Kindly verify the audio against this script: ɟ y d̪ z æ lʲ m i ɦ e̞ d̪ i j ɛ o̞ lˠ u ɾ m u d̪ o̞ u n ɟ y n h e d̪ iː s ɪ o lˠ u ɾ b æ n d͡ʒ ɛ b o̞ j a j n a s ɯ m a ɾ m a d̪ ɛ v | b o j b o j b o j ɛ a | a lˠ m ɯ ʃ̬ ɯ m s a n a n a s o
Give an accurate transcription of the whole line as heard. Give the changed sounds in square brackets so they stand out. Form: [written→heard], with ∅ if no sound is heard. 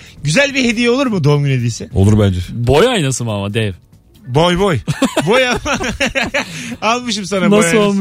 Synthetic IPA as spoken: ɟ y [d̪→∅] z æ lʲ [m→b] i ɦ e̞ d̪ i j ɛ o̞ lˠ u ɾ m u d̪ o̞ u [n→m] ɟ y n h e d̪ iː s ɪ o lˠ u ɾ b æ n d͡ʒ ɛ b o̞ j a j n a s ɯ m a [ɾ→∅] m a d̪ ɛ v | b o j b o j b o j [ɛ→a] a | a lˠ m ɯ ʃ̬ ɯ m s a n a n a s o